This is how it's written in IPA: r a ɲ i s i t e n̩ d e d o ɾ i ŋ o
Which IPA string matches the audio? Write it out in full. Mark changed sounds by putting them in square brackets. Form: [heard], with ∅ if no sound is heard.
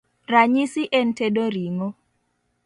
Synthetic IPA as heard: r a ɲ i s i [ʔ] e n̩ [t] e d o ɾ i ŋ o